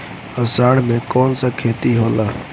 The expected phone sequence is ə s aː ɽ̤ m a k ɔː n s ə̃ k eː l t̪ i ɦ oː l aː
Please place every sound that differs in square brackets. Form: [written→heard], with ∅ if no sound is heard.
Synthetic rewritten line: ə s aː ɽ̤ m [a→e] k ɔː n s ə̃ [k→kʰ] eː [l→∅] t̪ i ɦ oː l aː